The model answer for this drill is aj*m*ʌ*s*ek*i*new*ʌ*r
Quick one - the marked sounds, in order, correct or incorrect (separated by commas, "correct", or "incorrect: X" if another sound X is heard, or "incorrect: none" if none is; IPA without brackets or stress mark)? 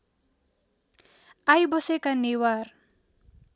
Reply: incorrect: b, correct, incorrect: a, incorrect: a